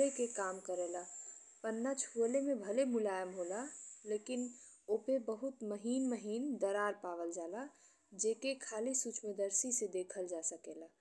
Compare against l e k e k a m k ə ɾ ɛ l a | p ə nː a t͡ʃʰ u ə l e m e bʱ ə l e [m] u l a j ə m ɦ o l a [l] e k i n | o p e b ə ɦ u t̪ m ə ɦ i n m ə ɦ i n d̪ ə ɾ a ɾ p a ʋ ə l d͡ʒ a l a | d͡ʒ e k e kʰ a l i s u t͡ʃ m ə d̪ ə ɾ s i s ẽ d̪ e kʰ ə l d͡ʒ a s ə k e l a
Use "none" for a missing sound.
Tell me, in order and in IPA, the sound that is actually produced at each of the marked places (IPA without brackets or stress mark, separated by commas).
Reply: m, l